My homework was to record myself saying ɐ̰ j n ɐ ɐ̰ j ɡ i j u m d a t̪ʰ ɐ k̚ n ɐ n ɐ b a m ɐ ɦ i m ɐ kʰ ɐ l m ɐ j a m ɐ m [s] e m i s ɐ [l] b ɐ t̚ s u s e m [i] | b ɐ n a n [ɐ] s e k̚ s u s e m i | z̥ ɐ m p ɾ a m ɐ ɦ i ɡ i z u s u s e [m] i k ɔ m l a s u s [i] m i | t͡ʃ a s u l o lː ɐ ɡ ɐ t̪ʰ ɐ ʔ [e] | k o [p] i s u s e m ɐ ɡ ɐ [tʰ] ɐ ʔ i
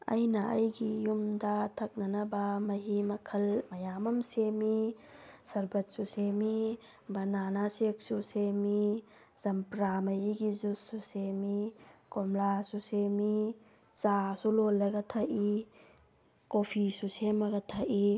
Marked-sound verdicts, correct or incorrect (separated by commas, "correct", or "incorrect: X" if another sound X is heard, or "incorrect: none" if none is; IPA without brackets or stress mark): correct, incorrect: ɾ, correct, incorrect: a, correct, incorrect: e, incorrect: i, incorrect: pʰ, correct